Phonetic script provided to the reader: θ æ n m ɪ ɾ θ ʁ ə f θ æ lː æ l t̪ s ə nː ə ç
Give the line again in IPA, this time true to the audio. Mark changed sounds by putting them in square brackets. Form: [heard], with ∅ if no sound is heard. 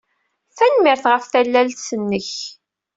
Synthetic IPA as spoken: θ æ n m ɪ ɾ θ ʁ ə f θ æ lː æ l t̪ s ə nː ə ç